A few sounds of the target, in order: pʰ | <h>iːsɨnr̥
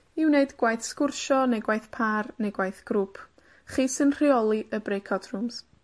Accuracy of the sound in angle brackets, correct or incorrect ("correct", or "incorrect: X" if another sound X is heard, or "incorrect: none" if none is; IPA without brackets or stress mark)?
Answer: incorrect: χ